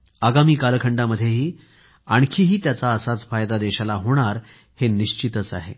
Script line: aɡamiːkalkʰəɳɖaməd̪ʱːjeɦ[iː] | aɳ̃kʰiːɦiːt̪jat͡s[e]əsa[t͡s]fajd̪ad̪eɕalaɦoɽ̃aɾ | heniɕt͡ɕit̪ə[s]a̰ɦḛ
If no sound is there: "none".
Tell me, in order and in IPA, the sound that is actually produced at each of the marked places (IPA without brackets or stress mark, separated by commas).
iː, a, t͡s, t͡s